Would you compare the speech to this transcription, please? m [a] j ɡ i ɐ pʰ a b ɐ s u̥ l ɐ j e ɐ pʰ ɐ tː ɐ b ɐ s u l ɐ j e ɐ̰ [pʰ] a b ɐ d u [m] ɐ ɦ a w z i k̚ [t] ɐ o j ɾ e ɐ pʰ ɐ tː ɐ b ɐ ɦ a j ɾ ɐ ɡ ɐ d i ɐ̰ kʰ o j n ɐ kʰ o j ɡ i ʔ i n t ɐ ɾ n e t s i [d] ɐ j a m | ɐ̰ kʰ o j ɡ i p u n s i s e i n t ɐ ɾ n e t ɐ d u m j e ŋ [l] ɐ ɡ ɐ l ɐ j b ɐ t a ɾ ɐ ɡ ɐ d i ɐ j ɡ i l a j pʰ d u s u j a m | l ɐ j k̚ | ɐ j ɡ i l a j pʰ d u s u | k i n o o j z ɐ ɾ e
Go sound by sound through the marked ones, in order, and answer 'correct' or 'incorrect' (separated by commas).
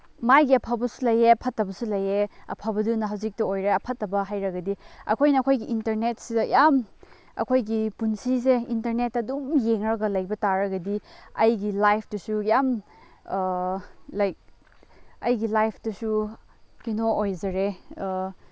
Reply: correct, correct, incorrect, correct, correct, incorrect